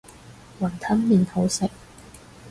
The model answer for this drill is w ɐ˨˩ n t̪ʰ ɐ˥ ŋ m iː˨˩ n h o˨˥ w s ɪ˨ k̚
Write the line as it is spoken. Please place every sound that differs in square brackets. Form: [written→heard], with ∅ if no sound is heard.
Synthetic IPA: w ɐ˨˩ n t̪ʰ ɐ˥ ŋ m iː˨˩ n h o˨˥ w s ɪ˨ k̚

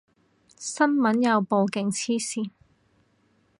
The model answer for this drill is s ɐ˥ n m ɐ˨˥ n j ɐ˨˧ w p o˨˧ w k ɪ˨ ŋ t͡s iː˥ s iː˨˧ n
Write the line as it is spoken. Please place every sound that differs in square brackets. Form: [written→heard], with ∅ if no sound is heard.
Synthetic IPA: s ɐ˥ n m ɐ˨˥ n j ɐ˨˧ w p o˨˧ w k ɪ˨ ŋ [t͡s→t͡sʰ] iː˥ s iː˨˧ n

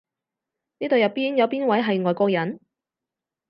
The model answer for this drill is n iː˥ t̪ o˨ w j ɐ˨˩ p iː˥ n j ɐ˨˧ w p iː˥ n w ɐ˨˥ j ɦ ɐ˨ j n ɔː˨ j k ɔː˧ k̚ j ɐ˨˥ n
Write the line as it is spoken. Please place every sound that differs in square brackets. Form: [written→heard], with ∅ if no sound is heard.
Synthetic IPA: n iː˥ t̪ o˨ w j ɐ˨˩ p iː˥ n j ɐ˨˧ w p iː˥ n w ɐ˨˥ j ɦ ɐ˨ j [n→ŋ] ɔː˨ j k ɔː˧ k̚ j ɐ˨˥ n

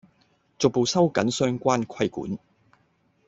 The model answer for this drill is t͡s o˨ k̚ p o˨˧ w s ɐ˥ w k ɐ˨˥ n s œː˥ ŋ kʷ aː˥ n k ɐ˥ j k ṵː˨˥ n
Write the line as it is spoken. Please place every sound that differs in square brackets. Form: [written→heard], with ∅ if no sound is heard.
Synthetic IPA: t͡s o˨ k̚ p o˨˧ w s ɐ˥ w k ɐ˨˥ n s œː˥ ŋ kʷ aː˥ n [k→kʰ] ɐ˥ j k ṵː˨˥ n

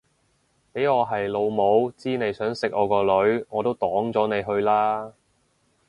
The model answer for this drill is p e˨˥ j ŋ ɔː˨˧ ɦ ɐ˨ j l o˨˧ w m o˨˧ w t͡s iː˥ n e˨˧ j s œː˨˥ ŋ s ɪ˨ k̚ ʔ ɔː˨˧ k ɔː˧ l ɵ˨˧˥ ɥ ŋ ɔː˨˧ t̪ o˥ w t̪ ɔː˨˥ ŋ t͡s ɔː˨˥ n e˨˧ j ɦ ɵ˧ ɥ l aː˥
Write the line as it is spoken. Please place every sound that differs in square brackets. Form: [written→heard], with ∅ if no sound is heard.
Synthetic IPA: p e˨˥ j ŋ ɔː˨˧ ɦ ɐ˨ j l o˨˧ w m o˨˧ w t͡s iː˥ n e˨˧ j s œː˨˥ ŋ s ɪ˨ k̚ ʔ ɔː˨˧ k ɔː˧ l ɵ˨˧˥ ɥ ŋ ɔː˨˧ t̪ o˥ w t̪ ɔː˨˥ ŋ t͡s ɔː˨˥ n e˨˧ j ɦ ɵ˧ ɥ l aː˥

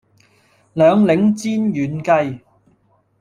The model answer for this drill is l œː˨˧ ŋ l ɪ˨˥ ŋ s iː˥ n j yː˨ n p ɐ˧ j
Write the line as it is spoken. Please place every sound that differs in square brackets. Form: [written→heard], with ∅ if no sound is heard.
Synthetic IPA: l œː˨˧ ŋ l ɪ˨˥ ŋ [s→t͡s] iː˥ n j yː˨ n [p→k] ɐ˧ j

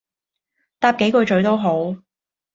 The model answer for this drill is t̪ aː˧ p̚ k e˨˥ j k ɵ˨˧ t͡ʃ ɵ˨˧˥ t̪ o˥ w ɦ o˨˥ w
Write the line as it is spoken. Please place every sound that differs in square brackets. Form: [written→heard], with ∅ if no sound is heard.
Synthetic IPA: t̪ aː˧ p̚ k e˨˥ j k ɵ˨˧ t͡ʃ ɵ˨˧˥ t̪ o˥ w ɦ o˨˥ w

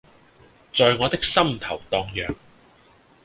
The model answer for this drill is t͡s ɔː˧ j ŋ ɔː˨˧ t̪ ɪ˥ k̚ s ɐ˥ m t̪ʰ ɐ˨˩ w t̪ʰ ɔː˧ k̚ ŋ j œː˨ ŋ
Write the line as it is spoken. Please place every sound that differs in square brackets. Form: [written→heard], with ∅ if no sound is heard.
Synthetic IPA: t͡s ɔː˧ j ŋ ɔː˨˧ t̪ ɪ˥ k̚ s ɐ˥ m t̪ʰ ɐ˨˩ w [t̪ʰ→t̪] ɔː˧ [k̚→∅] ŋ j œː˨ ŋ

